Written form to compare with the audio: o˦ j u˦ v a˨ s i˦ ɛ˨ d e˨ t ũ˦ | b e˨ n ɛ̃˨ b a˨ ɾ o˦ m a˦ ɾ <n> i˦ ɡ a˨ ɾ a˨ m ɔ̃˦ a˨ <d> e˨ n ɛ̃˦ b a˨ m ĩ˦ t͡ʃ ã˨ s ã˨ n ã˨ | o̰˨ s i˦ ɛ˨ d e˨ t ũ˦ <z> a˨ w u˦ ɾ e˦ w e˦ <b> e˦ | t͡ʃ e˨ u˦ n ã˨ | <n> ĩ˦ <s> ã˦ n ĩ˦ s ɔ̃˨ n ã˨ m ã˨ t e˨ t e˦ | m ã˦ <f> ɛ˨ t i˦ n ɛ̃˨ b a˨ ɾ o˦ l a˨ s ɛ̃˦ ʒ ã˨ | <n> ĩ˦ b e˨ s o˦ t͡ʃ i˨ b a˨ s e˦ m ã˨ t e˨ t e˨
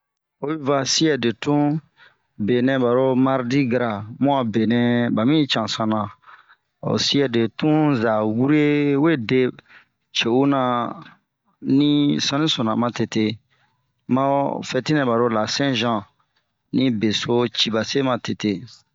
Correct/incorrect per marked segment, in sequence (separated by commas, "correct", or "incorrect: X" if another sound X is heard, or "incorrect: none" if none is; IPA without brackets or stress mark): incorrect: d, incorrect: b, correct, incorrect: d, correct, correct, correct, correct